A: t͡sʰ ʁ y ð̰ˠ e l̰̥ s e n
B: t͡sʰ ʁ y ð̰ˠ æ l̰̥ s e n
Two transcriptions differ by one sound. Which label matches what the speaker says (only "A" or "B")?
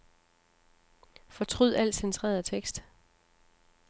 B